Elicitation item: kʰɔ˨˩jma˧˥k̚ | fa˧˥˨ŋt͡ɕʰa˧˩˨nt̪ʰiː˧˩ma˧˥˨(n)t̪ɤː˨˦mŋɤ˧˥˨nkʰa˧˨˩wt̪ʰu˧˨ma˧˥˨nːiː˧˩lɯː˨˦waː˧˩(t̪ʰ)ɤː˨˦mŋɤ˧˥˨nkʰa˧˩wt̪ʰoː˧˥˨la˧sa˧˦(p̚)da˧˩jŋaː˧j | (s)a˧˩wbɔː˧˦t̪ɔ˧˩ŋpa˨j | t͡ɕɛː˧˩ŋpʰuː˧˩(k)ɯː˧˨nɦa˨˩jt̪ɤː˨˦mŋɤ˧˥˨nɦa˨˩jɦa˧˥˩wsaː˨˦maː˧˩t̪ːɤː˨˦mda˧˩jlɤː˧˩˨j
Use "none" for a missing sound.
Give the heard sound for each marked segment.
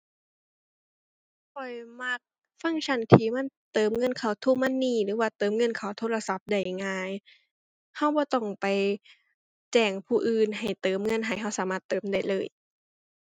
n, t̪, p̚, h, ʔ

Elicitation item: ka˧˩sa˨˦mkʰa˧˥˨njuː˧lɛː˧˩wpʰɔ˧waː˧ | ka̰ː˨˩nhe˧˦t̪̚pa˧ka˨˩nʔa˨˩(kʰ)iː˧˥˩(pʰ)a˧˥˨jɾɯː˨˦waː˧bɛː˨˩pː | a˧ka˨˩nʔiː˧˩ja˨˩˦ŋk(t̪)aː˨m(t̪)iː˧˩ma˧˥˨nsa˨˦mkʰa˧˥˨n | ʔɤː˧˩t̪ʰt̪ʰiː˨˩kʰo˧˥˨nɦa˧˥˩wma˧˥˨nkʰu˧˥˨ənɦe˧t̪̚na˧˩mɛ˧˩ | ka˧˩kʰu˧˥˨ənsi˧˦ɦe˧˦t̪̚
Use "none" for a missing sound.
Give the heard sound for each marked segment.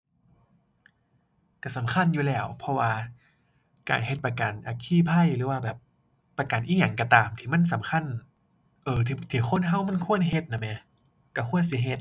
kʰ, pʰ, t̪, t̪ʰ

